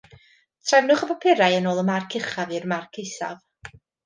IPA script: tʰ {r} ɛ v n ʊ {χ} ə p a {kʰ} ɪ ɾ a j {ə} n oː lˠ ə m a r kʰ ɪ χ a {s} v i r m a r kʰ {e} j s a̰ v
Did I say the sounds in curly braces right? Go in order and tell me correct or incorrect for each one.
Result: correct, correct, incorrect, correct, incorrect, correct

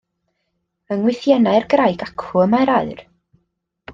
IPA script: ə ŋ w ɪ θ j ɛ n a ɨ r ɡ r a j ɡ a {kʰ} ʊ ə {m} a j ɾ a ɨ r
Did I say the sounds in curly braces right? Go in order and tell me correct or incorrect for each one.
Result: correct, correct

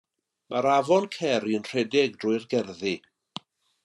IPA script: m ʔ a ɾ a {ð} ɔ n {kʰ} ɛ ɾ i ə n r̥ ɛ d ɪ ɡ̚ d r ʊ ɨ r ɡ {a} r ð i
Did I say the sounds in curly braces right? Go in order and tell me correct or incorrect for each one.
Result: incorrect, correct, incorrect

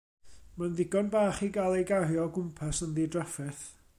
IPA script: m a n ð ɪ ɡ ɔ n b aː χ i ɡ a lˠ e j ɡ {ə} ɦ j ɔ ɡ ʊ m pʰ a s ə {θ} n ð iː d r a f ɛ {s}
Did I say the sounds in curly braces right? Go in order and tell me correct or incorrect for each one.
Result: incorrect, incorrect, incorrect

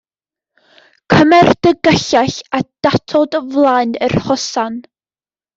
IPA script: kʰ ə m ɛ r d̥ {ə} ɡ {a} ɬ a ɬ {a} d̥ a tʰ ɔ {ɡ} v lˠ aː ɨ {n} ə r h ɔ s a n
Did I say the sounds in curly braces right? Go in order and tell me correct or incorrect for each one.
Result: correct, incorrect, correct, incorrect, correct

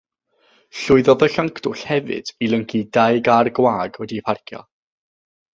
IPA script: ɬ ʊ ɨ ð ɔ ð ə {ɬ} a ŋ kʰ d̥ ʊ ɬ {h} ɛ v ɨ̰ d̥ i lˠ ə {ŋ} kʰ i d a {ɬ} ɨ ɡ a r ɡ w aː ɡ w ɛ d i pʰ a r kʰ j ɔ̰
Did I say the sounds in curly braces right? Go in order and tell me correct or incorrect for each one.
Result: correct, correct, correct, incorrect

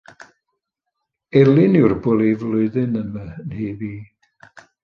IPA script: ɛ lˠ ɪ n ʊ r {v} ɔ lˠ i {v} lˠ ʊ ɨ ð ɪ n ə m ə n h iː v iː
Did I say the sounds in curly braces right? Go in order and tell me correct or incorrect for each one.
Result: incorrect, correct

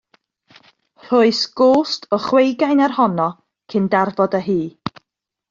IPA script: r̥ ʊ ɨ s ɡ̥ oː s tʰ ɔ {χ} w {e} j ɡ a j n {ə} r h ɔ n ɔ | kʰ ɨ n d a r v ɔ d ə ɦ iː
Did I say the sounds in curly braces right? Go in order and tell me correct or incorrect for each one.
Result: correct, correct, incorrect

